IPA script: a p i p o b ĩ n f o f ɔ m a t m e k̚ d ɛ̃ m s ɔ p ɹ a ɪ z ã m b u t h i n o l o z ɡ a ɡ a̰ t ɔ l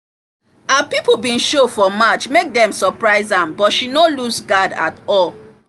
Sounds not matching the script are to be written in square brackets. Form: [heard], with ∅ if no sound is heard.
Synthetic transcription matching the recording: a p i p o b ĩ n [ʃ] o f ɔ m a [t͡ʃ] m e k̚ d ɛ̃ m s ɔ p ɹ a ɪ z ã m b [ɔ] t [ʃ] i n o l [u] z ɡ a [d] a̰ t ɔ l